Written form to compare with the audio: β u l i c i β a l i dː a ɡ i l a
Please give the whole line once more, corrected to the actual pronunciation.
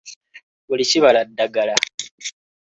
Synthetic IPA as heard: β u l i c i β a l a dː a ɡ a l a